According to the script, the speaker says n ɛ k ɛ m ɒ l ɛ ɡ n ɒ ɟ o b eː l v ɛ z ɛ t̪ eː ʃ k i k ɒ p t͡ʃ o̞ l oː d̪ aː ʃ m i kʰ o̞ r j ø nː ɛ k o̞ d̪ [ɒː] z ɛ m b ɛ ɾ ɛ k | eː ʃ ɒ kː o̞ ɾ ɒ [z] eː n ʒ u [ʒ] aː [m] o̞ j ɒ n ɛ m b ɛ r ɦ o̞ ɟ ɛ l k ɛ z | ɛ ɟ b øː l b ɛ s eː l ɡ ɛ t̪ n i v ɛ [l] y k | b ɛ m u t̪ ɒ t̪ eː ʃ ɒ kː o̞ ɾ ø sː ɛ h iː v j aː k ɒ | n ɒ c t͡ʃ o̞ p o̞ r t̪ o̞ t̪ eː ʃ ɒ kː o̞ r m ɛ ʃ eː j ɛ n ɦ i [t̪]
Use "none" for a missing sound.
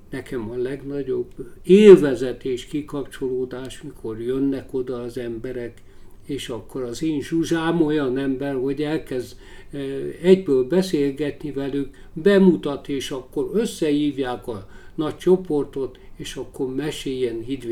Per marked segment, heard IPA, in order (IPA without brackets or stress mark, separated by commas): ɒː, z, ʒ, m, l, d̪